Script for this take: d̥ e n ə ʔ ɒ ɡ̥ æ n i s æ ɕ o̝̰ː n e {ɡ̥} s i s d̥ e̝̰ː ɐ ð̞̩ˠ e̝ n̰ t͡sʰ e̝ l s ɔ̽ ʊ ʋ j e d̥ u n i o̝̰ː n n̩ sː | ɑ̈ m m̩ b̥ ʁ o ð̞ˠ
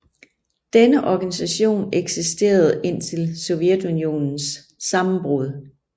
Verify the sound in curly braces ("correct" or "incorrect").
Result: correct